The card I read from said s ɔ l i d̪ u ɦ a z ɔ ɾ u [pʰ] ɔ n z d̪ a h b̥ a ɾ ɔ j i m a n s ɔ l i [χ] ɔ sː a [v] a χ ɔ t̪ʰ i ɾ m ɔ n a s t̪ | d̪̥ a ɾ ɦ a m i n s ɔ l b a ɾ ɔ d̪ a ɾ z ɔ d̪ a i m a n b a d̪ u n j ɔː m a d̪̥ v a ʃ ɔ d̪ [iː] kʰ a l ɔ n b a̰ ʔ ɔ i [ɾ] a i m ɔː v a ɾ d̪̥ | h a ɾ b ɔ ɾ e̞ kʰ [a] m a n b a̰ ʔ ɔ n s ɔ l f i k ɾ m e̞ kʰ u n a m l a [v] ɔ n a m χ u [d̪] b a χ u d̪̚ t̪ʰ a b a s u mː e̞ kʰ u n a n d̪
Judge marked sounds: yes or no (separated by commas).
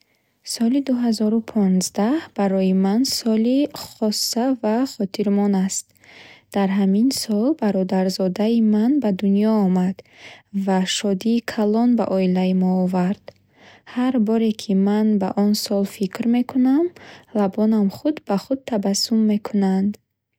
yes, yes, yes, yes, no, no, no, yes